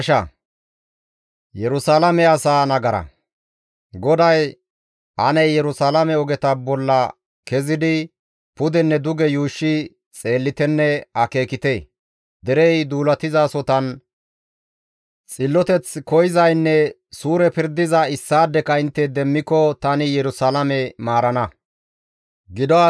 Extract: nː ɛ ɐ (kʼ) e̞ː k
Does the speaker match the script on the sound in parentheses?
no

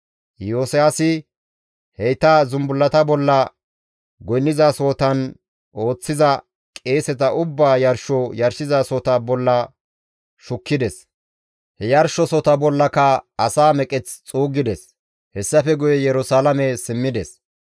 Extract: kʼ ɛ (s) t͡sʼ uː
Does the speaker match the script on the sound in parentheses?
no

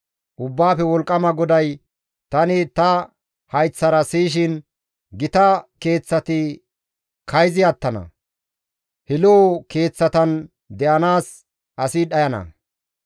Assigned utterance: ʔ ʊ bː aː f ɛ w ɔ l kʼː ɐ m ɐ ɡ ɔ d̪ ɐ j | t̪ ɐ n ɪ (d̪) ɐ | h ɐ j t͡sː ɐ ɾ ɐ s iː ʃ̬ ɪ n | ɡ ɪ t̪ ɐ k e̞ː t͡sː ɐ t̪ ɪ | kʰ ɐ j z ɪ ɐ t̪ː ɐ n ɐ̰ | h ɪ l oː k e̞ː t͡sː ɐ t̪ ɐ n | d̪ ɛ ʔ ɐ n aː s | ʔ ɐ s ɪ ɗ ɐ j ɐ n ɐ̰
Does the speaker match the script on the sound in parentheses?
no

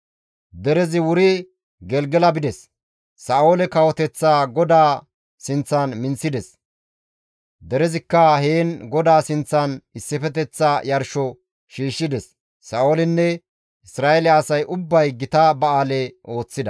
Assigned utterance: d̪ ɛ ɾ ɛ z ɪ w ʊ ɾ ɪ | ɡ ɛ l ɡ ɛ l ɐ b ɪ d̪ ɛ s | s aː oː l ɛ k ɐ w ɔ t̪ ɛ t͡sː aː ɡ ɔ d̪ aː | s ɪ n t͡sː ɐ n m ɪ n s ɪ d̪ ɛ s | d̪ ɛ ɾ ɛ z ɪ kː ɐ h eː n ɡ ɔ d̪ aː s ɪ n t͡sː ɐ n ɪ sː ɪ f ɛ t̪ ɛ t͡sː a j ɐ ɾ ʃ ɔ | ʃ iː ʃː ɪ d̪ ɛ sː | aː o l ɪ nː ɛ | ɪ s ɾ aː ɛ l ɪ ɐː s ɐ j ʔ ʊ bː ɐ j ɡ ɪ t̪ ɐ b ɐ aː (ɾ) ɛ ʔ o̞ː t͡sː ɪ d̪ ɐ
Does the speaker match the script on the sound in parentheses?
no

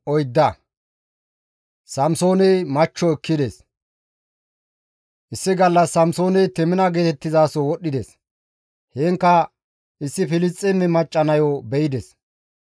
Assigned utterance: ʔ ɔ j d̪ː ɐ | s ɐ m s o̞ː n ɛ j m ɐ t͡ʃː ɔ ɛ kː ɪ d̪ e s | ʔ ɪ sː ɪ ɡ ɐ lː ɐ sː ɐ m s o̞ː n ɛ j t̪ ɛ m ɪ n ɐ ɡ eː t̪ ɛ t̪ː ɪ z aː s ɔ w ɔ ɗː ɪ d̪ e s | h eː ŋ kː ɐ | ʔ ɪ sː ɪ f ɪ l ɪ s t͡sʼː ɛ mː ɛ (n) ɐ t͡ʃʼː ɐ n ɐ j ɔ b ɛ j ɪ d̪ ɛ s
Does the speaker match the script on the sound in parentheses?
no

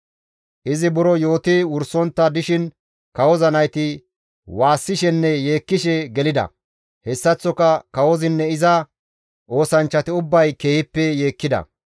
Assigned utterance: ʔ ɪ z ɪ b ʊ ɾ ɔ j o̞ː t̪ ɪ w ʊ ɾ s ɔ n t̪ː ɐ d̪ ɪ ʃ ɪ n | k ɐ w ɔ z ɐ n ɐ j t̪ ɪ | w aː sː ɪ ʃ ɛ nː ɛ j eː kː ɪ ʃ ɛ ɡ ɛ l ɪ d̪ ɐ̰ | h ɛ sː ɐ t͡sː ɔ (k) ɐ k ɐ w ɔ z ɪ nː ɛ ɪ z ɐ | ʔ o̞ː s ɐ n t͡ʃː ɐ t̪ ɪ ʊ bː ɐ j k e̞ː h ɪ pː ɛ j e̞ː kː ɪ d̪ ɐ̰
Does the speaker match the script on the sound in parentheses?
yes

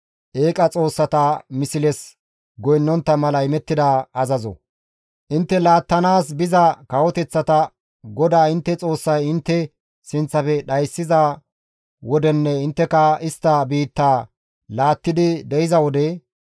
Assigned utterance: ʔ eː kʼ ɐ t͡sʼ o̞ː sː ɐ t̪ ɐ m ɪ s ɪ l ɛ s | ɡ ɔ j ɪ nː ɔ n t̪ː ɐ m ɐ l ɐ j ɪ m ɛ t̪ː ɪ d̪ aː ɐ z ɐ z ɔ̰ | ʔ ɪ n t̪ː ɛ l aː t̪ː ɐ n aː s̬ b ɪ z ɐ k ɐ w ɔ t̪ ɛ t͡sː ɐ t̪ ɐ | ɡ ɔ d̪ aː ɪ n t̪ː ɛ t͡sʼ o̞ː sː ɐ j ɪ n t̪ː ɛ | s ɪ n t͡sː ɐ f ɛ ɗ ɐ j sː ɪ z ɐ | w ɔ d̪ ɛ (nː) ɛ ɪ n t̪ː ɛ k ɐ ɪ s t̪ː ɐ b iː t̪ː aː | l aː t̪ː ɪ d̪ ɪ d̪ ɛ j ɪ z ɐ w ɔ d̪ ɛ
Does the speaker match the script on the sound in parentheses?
yes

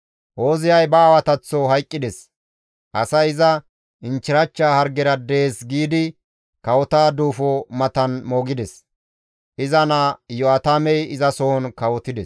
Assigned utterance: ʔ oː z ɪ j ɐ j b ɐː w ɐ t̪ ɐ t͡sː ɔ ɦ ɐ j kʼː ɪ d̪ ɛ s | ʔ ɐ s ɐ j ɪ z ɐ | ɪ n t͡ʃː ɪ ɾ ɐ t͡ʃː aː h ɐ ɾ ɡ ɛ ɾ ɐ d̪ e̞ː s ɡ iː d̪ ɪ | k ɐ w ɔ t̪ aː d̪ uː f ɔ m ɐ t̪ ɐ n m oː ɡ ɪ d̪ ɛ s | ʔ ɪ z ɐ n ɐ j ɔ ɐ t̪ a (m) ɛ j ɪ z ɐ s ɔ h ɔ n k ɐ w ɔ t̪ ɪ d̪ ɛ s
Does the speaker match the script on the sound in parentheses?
yes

